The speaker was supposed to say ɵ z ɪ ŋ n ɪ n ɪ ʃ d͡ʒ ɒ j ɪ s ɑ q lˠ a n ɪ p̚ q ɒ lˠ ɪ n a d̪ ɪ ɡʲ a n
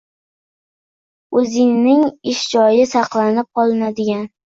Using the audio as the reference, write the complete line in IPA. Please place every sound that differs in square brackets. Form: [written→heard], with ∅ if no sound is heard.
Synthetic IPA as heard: ɵ z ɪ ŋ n ɪ [n→ŋ] ɪ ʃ d͡ʒ ɒ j ɪ s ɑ q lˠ a n ɪ p̚ q ɒ lˠ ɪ n a d̪ ɪ ɡʲ a n